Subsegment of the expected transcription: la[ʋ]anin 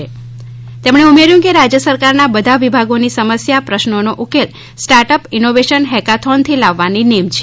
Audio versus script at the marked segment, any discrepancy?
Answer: yes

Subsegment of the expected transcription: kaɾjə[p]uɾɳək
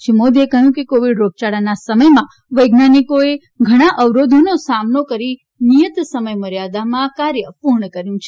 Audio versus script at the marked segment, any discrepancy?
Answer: no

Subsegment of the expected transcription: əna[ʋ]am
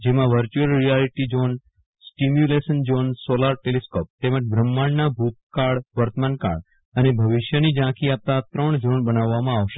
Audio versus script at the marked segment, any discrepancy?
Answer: yes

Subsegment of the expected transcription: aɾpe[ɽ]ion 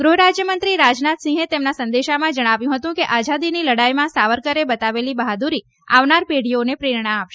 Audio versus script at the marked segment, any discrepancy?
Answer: no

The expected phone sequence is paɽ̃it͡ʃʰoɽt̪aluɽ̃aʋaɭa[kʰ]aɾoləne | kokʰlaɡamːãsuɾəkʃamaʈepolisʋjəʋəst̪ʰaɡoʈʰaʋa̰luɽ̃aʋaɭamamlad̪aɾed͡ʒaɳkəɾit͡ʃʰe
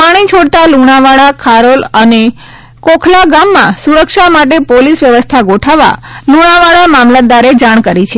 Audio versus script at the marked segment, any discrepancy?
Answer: no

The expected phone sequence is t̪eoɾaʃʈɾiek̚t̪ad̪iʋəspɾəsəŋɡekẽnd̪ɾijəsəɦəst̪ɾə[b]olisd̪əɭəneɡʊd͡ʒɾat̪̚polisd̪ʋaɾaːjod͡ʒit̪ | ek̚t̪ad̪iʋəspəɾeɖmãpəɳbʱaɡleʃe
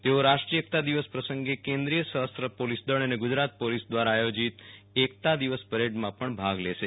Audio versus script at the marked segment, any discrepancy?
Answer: yes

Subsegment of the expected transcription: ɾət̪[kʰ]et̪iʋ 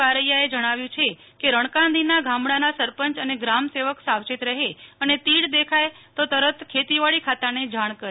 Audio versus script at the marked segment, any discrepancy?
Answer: no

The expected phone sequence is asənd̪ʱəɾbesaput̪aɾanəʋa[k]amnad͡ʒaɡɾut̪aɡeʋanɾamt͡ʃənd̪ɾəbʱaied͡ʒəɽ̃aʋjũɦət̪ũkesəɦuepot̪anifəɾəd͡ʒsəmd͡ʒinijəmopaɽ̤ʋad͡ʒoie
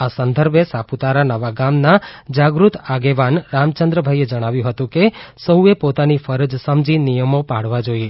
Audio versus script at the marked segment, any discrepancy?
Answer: yes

